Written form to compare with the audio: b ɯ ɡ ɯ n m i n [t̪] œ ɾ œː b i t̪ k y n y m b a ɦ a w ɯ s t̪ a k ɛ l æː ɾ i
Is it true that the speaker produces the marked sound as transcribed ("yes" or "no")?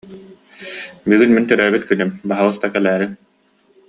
yes